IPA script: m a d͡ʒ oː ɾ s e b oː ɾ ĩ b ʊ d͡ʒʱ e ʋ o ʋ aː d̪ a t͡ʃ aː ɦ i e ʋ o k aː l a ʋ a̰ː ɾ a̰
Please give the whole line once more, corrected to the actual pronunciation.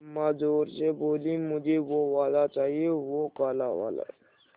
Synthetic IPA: m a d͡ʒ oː ɾ s e b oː l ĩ m ʊ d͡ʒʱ e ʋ o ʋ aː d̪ a t͡ʃ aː ɦ i e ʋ o k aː l a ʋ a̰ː l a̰